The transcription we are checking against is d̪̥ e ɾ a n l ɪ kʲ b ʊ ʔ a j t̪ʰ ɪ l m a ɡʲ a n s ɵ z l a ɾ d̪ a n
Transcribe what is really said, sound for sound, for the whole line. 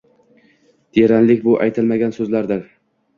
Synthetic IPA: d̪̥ e ɾ a n l ɪ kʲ b ʊ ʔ a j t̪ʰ ɪ l m a ɡʲ a n s ɵ z l a ɾ d̪ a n

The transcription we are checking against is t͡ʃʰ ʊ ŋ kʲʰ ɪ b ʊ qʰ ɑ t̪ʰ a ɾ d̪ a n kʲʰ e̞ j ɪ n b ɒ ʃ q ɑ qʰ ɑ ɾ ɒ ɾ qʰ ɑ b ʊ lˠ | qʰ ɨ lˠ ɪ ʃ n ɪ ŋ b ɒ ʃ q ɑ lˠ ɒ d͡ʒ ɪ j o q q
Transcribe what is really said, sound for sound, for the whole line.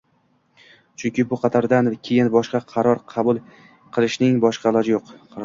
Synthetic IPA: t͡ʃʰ ʊ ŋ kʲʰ ɪ b ʊ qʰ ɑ t̪ʰ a ɾ d̪ a n kʲʰ e̞ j ɪ n b ɒ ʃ q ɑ qʰ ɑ ɾ ɒ ɾ qʰ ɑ b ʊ lˠ | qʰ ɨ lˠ ɪ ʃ n ɪ ŋ b ɒ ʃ q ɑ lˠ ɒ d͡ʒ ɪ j o q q

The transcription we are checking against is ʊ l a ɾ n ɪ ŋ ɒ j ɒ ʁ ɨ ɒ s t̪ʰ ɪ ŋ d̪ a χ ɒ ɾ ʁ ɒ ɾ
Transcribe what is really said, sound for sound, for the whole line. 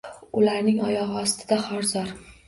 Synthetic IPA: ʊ l a ɾ n ɪ ŋ ɒ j ɒ ʁ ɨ ɒ s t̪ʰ ɪ d̪ a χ ɒ ɾ z ɒ ɾ

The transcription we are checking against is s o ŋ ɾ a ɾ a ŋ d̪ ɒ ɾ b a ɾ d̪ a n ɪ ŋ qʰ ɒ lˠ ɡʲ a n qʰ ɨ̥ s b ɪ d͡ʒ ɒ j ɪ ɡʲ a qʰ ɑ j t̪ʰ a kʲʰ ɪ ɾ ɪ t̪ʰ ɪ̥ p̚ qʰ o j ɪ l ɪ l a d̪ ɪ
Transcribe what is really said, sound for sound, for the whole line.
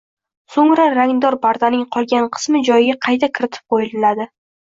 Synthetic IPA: s o ŋ ɾ a ɾ a ŋ d̪ ɒ ɾ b a ɾ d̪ a n ɪ ŋ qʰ ɒ lˠ ɡʲ a n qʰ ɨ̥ s m ɪ d͡ʒ ɒ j ɪ ɡʲ a qʰ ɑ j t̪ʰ a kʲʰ ɪ ɾ ɪ t̪ʰ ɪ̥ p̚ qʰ o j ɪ l ɪ l a d̪ ɪ

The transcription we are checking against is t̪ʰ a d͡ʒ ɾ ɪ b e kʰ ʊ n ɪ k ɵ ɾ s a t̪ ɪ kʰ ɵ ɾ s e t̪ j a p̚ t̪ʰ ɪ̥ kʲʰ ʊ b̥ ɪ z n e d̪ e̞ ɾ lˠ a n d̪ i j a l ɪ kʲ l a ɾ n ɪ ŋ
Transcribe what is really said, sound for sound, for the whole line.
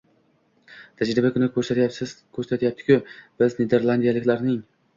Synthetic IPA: t̪ʰ a d͡ʒ ɾ ɪ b a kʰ ʊ n ɪ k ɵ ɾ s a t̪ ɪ kʰ ɵ ɾ s a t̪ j a p̚ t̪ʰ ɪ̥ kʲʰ ʊ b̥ ɪ z n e d̪ e̞ ɾ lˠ a n d̪ i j a l ɪ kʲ l a ɾ n ɪ ŋ

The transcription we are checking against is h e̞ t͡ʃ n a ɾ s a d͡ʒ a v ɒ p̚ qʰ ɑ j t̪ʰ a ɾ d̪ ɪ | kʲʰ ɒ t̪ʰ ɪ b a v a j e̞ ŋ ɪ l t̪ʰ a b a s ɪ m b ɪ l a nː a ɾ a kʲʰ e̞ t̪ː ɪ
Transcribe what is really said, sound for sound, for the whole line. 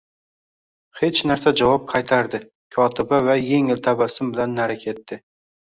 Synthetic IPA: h e̞ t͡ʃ n a ɾ s a d͡ʒ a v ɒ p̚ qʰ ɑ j t̪ʰ a ɾ d̪ ɪ | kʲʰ ɒ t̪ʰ ɪ b a v a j e̞ ŋ ɪ l t̪ʰ a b a s ɪ m b ɪ l a nː a ɾ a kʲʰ e̞ t̪ː ɪ

